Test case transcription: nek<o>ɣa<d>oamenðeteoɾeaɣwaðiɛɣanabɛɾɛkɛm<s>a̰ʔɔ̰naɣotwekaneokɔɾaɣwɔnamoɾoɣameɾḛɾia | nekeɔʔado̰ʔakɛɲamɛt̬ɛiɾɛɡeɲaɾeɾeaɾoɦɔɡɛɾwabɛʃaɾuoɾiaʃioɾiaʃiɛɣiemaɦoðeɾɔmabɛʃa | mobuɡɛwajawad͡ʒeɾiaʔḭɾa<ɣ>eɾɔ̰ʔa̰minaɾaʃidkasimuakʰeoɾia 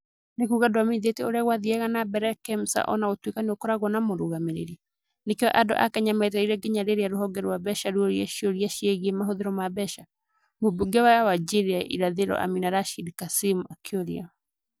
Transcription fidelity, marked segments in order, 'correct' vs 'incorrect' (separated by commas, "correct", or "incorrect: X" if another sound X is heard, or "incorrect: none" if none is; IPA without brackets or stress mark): incorrect: u, correct, correct, incorrect: ð